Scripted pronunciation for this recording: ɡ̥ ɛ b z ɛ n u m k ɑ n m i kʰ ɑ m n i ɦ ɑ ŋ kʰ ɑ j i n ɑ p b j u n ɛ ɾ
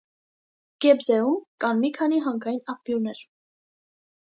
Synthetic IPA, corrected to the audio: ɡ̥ ɛ b z ɛ u m k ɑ n m i kʰ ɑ n i ɦ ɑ ŋ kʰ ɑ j i n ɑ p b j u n ɛ ɾ